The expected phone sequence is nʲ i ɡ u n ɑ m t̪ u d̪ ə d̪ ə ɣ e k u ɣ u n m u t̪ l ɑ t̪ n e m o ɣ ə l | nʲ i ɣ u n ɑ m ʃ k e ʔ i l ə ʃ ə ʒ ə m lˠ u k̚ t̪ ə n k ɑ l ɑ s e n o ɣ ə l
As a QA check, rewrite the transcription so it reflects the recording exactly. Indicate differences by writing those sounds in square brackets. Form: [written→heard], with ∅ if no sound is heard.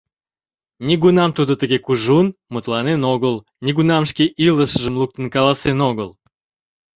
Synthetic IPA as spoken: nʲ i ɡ u n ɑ m t̪ u d̪ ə [d̪→t̪] ə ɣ e k u [ɣ→ʒ] u n m u t̪ l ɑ [t̪→∅] n e [m→n] o ɣ ə l | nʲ i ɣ u n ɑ m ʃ k e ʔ i l ə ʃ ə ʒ ə m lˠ u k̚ t̪ ə n k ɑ l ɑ s e n o ɣ ə l